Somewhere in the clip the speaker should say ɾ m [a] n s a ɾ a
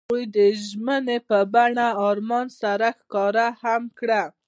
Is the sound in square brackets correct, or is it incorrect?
incorrect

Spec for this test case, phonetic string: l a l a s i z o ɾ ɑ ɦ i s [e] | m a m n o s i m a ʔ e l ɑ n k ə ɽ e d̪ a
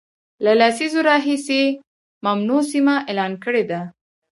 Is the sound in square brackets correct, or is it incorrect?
correct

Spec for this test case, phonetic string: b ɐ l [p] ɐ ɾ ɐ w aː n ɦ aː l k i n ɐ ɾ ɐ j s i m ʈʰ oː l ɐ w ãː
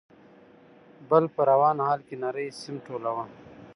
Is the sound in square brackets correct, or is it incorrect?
correct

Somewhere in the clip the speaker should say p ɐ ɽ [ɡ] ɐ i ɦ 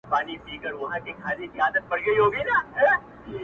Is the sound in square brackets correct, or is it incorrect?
correct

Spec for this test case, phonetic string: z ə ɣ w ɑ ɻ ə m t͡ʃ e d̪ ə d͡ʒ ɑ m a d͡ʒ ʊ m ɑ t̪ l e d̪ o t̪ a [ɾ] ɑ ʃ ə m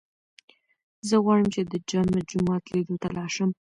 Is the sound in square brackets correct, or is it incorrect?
incorrect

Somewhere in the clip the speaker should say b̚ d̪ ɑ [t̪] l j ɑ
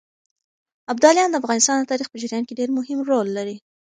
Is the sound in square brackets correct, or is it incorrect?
incorrect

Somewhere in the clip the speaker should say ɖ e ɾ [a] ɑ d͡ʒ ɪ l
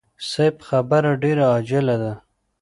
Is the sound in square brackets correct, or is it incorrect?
correct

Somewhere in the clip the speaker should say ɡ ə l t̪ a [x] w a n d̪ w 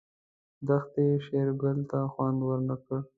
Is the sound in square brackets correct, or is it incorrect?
correct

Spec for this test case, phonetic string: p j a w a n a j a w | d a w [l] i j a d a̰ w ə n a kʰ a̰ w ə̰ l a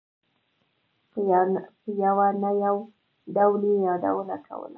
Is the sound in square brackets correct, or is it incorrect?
correct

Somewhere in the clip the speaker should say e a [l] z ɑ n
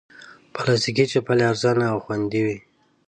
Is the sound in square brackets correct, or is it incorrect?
incorrect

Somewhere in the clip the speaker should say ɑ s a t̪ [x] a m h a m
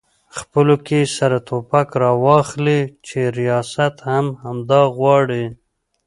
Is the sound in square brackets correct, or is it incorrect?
incorrect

